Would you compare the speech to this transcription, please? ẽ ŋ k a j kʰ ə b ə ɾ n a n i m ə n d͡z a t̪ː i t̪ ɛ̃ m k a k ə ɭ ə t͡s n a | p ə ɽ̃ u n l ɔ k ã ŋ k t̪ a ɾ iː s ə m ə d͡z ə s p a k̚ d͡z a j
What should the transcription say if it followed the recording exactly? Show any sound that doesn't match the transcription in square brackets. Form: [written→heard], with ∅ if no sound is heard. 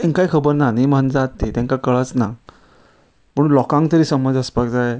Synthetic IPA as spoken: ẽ ŋ k a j kʰ ə b ə ɾ n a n i m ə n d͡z a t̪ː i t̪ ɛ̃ [m→ŋ] k a k ə ɭ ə t͡s n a | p ə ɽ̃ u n l ɔ k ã ŋ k t̪ [a→ə] ɾ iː s ə m ə d͡z ə s p a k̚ d͡z a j